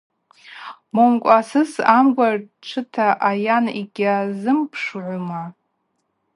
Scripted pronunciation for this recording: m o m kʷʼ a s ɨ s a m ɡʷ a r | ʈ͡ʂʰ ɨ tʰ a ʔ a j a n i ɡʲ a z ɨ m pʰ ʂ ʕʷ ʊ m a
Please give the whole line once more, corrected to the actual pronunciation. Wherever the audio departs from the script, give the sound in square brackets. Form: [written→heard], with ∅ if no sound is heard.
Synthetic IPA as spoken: m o m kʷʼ a s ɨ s a m ɡʷ a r | ʈ͡ʂʰ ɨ tʰ a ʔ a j a n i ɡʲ a z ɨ m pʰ ʂ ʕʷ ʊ m a